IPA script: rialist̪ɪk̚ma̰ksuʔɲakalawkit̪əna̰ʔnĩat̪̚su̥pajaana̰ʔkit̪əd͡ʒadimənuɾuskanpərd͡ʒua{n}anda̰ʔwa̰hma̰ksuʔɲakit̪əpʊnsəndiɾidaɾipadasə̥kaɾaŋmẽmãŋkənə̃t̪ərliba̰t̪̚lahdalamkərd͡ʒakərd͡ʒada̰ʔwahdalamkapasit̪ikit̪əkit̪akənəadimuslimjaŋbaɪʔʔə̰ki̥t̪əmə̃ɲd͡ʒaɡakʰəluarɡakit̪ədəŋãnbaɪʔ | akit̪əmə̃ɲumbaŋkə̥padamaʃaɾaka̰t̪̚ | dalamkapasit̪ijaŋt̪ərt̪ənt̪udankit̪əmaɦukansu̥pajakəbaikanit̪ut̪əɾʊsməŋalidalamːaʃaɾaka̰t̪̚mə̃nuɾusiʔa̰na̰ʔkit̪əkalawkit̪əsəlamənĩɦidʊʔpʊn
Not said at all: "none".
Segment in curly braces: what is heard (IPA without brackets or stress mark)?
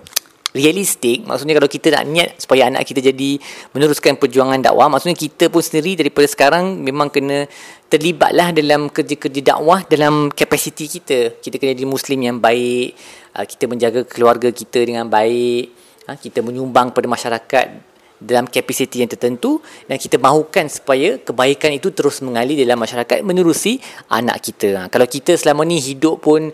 ŋ